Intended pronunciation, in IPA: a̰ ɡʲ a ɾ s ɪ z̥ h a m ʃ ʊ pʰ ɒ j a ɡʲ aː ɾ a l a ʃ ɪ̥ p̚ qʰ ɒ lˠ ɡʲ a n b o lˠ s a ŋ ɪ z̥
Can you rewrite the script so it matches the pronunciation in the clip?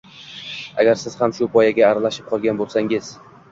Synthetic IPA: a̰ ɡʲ a ɾ s ɪ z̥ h a m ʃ ʊ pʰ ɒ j a ɡʲ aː ɾ a l a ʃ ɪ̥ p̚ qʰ ɒ lˠ ɡʲ a n b o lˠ s a ŋ ɪ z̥